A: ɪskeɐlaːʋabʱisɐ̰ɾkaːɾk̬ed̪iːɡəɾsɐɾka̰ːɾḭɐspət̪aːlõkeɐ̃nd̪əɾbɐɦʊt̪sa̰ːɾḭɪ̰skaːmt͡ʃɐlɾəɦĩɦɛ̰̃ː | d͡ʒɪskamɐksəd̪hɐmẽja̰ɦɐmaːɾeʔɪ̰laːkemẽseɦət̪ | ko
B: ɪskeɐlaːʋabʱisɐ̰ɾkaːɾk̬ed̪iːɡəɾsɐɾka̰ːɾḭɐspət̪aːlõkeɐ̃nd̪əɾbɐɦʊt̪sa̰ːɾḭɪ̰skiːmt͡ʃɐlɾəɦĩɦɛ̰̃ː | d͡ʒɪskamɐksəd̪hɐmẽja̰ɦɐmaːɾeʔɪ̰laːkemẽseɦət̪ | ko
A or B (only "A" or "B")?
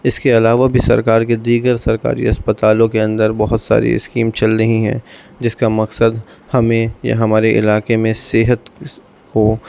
B